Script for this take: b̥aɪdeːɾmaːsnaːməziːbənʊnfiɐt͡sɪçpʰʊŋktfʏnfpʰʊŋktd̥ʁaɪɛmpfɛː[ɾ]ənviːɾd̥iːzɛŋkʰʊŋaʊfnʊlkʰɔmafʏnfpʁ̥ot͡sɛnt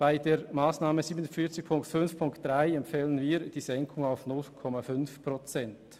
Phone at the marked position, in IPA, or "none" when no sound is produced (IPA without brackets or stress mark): l